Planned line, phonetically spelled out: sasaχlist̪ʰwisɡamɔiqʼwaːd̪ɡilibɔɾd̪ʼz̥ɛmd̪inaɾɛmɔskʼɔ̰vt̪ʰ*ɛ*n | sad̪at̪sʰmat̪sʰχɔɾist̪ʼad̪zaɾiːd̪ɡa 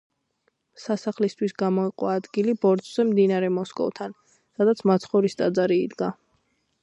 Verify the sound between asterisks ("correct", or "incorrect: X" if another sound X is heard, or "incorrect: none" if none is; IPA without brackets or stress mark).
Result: incorrect: a